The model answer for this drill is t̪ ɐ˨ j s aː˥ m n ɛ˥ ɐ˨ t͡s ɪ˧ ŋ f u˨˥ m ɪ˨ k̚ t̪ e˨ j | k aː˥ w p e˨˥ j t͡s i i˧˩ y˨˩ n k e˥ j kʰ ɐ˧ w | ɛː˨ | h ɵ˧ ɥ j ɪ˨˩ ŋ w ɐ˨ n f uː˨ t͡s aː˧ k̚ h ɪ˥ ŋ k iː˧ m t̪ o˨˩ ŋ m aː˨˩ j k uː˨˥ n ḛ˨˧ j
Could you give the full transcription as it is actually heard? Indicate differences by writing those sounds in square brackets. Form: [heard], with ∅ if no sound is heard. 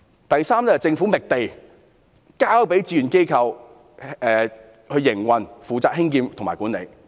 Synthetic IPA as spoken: t̪ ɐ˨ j s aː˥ m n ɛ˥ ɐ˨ t͡s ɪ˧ ŋ f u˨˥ m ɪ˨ k̚ t̪ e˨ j | k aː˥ w p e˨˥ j t͡s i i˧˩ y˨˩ n k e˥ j kʰ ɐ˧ w | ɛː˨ | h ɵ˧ ɥ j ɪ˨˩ ŋ w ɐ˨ n f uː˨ t͡s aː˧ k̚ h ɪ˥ ŋ k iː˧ m t̪ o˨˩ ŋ m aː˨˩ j k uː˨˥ n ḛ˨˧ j

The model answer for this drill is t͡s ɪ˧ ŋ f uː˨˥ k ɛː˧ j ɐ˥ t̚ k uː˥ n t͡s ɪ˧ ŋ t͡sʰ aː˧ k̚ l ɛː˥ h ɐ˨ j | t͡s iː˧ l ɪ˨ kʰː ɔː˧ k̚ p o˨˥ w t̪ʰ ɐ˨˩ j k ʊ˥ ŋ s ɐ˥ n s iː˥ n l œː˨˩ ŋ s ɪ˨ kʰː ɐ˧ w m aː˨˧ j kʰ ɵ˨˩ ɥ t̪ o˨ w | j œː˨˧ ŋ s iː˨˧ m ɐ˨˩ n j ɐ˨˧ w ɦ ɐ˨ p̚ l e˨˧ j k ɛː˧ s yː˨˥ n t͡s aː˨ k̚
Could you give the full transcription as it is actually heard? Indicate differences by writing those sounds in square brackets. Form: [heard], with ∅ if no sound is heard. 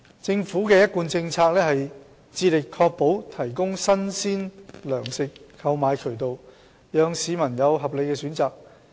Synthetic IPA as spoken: t͡s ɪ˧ ŋ f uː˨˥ k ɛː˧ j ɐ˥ t̚ k [uː˧] n t͡s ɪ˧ ŋ t͡sʰ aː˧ k̚ l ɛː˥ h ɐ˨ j | t͡s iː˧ l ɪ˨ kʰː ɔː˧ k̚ p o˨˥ w t̪ʰ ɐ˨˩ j k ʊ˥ ŋ s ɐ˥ n s iː˥ n l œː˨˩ ŋ s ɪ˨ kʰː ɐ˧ w m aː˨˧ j kʰ ɵ˨˩ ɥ t̪ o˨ w | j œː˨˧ ŋ s iː˨˧ m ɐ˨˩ n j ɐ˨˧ w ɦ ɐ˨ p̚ l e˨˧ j k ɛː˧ s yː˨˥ n t͡s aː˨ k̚

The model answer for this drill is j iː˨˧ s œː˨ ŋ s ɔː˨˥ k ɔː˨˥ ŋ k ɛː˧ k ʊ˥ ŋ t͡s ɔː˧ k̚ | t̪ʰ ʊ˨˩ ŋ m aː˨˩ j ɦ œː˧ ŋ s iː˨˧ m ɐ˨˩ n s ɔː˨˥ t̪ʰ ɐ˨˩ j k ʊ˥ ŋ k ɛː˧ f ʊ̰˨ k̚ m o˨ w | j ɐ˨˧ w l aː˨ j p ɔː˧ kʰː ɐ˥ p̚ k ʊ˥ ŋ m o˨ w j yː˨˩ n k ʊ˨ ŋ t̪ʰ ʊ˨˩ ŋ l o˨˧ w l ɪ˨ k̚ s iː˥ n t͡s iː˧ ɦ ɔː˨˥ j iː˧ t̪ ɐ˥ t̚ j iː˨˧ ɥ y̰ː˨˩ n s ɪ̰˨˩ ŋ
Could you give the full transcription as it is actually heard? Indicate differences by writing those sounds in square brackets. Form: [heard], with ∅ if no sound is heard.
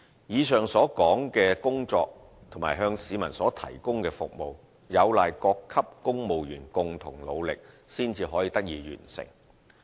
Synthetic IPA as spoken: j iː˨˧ s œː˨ ŋ s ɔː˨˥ k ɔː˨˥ ŋ k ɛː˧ k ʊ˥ ŋ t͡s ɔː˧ k̚ | t̪ʰ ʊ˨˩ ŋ m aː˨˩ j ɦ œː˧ ŋ s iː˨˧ m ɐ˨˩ n s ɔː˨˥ t̪ʰ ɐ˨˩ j k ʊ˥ ŋ k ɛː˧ f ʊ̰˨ k̚ m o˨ w | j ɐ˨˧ w l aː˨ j [k] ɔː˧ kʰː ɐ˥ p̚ k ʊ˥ ŋ m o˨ w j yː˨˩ n k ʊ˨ ŋ t̪ʰ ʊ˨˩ ŋ l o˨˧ w l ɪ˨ k̚ s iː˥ n t͡s iː˧ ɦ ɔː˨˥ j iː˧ t̪ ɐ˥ [k̚] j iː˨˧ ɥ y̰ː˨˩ n s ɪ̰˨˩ ŋ

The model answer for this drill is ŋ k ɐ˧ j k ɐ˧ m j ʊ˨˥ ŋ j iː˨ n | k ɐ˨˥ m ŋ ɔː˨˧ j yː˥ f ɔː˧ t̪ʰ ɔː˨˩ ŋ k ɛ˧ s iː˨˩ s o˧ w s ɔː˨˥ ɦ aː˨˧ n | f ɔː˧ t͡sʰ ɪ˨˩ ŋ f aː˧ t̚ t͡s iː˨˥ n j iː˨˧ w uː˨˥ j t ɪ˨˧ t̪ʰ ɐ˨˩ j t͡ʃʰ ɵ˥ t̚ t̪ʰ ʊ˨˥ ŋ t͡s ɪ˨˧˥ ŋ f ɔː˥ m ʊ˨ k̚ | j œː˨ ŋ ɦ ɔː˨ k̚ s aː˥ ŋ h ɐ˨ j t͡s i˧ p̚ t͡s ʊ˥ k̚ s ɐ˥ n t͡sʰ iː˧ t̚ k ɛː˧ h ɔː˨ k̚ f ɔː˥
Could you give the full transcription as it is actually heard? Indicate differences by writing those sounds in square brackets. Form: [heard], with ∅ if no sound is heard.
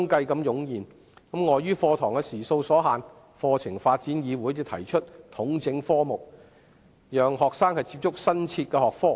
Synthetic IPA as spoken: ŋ k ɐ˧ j k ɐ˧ m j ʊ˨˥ ŋ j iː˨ n | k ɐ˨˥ m ŋ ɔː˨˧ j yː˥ f ɔː˧ t̪ʰ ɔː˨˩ ŋ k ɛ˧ s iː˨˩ s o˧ w s ɔː˨˥ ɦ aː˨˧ n | f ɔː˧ t͡sʰ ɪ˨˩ ŋ f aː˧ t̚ t͡s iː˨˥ n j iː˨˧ w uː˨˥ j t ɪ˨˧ t̪ʰ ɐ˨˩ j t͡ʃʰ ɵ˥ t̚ t̪ʰ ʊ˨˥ ŋ t͡s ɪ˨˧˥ ŋ f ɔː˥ m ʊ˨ k̚ | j œː˨ ŋ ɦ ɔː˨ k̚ s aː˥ ŋ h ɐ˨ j t͡s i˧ p̚ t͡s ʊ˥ k̚ s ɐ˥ n t͡sʰ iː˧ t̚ k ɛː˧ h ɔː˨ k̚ f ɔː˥

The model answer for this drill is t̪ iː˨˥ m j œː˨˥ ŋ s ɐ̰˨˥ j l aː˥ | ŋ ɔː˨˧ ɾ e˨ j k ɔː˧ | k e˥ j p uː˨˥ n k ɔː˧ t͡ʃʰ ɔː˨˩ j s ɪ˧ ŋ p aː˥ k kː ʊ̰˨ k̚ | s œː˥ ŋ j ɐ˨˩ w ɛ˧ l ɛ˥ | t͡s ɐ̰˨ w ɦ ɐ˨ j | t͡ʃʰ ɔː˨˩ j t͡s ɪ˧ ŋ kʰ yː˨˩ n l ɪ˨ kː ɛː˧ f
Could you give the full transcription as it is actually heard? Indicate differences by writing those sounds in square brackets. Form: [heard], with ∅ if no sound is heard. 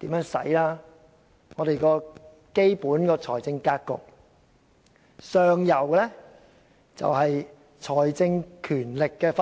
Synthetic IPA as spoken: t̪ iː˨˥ m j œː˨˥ ŋ s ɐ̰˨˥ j l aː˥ | ŋ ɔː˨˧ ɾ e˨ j k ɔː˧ | k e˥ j p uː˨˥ n k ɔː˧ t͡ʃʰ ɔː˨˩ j [t͡s] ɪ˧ ŋ [k] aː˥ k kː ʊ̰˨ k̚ | s [œː˨] ŋ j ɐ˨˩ w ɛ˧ l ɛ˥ | t͡s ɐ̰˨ w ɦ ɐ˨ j | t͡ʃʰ ɔː˨˩ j t͡s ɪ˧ ŋ kʰ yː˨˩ n l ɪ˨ kː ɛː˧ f

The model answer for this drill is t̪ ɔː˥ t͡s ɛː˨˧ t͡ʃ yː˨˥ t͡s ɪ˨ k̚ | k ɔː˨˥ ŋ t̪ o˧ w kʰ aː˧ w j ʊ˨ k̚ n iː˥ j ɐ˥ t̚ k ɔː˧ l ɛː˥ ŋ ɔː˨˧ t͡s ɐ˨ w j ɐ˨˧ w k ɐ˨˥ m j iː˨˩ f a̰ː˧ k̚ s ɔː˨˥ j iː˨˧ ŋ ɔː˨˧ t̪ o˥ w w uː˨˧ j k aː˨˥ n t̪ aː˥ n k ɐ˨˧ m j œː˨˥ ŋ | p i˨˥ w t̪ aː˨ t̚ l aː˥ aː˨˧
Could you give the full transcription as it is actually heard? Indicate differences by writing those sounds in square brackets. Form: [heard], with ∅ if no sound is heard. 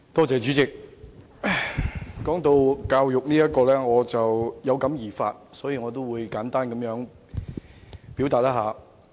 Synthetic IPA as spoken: t̪ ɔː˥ t͡s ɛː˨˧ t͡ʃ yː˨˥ t͡s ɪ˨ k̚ | k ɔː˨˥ ŋ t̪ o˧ w [k] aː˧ w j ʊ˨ k̚ n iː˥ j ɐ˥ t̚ k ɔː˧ l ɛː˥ ŋ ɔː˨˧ t͡s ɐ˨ w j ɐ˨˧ w k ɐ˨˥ m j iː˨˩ f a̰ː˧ [t̚] s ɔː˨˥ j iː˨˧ ŋ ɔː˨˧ t̪ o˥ w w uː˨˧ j k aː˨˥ n t̪ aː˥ n k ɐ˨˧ m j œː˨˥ ŋ | p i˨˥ w t̪ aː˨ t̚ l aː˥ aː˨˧

